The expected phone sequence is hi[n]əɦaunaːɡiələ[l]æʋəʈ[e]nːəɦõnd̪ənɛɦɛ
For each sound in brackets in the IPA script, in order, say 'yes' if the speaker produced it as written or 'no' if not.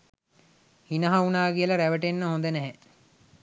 yes, no, yes

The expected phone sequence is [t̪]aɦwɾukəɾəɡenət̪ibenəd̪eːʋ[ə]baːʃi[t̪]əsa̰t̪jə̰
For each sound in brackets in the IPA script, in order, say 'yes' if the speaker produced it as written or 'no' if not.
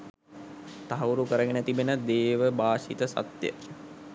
yes, yes, yes

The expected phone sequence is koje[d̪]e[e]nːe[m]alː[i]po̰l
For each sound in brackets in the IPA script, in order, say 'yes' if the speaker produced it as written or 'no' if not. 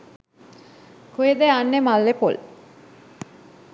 yes, no, yes, no

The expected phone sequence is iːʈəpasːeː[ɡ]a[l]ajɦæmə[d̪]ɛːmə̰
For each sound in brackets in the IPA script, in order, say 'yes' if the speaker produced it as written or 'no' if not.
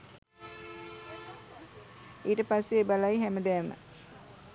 no, yes, yes

